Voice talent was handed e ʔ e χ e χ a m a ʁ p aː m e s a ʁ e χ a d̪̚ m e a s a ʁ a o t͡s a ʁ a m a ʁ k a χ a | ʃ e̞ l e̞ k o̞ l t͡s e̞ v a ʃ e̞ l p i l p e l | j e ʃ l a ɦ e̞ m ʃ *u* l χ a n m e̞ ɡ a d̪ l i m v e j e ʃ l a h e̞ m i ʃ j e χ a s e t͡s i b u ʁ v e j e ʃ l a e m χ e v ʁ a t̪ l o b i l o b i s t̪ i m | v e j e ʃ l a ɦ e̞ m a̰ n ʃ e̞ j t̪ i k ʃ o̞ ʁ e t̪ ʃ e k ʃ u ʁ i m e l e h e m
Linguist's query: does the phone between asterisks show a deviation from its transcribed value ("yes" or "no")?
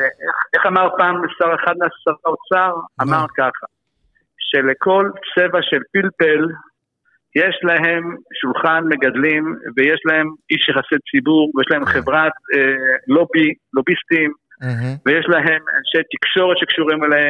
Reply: no